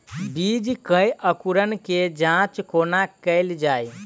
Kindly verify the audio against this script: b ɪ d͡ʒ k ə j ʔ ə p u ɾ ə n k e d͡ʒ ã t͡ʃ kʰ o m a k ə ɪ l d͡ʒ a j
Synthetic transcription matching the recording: b i d͡ʒ k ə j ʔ ə k u ɾ ə n k e d͡ʒ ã t͡ʃ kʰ o n a k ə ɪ l d͡ʒ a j